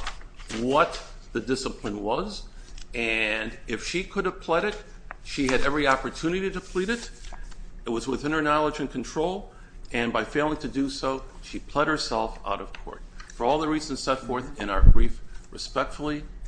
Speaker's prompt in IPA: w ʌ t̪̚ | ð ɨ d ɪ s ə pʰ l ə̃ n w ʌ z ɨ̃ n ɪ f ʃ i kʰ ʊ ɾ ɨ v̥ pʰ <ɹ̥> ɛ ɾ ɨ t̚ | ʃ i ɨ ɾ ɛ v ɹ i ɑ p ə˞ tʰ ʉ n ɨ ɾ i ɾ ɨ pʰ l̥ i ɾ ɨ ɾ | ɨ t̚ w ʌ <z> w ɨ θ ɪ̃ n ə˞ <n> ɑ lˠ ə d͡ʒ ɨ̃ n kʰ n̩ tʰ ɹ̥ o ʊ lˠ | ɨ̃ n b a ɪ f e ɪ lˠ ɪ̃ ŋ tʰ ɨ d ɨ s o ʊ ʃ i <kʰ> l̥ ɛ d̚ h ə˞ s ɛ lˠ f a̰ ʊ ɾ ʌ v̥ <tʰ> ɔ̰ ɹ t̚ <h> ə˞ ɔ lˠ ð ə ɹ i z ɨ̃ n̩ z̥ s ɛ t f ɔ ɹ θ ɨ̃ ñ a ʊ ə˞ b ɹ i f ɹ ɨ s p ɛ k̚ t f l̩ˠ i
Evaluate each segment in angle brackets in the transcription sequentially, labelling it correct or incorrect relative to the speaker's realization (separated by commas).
incorrect, correct, correct, incorrect, incorrect, incorrect